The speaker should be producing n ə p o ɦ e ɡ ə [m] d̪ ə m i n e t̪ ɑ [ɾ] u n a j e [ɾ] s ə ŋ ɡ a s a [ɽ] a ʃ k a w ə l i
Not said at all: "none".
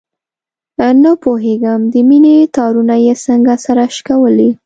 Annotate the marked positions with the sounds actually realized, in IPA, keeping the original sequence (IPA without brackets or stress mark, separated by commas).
m, ɾ, none, ɾ